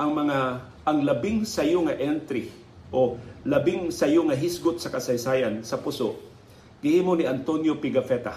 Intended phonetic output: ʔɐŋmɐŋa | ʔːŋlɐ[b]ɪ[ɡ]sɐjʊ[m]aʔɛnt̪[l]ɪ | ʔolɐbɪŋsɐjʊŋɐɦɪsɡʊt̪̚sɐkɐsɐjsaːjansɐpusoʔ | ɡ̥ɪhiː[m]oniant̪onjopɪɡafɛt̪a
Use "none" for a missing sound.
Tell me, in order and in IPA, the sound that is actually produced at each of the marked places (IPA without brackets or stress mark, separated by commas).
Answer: b, ŋ, ŋ, ɾ, m